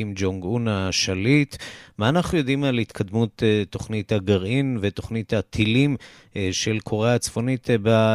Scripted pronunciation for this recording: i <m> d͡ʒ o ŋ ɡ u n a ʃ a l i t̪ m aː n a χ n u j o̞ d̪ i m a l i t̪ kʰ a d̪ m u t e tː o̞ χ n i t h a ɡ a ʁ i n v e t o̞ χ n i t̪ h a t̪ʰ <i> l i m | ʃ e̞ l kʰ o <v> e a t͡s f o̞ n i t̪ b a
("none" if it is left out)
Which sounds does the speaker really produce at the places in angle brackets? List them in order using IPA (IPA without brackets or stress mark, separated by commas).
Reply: m, i, ʁ